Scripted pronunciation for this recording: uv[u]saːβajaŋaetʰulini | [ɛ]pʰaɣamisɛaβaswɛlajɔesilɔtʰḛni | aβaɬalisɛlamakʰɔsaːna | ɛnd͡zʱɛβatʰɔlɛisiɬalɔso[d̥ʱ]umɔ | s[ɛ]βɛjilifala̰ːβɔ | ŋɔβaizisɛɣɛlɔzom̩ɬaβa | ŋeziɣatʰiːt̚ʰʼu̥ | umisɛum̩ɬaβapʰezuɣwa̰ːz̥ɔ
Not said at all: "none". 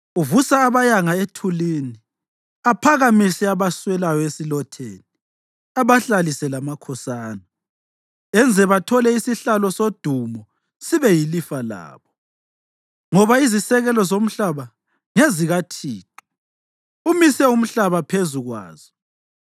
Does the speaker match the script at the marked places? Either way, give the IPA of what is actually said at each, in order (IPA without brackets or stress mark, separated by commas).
u, a, d̥ʱ, i